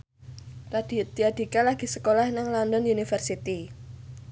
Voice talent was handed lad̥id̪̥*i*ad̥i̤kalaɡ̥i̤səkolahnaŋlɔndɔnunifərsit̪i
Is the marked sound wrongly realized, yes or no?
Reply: no